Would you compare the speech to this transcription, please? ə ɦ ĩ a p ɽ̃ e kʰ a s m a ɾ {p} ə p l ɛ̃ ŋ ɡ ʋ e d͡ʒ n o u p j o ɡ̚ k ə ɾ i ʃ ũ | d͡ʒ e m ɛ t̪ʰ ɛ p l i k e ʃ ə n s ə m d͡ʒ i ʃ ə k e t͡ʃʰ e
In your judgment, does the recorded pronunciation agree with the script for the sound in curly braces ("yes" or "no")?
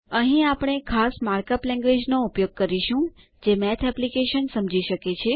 no